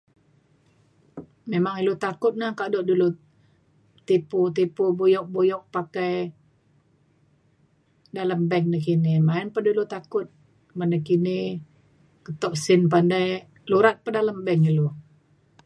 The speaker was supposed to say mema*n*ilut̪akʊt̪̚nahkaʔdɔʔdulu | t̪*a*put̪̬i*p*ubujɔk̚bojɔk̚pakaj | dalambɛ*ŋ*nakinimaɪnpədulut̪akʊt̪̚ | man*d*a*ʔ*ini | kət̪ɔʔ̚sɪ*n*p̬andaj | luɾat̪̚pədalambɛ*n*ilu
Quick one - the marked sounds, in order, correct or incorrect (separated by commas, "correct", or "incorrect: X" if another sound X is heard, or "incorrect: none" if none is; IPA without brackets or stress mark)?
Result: incorrect: ŋ, incorrect: i, correct, correct, correct, incorrect: k, correct, incorrect: ŋ